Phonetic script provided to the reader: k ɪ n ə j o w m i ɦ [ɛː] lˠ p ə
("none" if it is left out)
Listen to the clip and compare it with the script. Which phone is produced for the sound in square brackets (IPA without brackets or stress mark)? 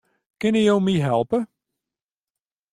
ɛ